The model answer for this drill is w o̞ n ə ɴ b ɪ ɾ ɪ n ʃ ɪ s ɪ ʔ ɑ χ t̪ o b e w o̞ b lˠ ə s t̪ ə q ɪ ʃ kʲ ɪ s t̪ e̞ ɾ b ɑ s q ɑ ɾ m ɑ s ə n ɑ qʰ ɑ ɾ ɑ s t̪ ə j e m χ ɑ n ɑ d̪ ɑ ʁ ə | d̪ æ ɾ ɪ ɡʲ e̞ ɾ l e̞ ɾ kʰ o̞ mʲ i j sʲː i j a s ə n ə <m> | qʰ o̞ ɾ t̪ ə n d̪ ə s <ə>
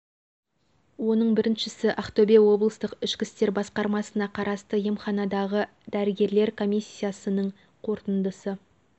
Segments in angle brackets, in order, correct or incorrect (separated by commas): incorrect, correct